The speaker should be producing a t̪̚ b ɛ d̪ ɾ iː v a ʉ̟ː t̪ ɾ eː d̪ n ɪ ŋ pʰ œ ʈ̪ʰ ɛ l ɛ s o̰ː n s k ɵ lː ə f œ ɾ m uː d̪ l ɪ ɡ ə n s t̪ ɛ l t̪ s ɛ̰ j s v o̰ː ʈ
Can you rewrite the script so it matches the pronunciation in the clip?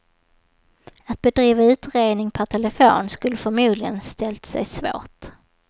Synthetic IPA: a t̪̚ b ɛ d̪ ɾ iː v a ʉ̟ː t̪ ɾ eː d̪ n ɪ ŋ pʰ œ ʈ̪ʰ ɛ l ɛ f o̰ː n s k ɵ lː ə f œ ɾ m uː d̪ l ɪ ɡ ə n s t̪ ɛ l t̪ s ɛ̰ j s v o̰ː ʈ